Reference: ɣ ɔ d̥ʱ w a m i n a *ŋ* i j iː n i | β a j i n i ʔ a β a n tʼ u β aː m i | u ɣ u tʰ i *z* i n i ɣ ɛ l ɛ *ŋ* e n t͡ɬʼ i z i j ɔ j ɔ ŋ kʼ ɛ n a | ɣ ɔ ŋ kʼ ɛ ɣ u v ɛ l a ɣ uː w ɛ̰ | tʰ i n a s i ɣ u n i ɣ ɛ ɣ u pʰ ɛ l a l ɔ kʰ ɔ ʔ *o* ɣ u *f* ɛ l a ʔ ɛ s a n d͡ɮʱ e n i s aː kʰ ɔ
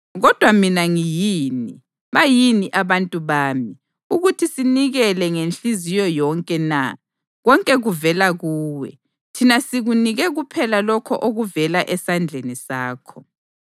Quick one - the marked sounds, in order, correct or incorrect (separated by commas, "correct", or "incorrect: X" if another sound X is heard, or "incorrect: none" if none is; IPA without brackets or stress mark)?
correct, incorrect: s, correct, correct, incorrect: v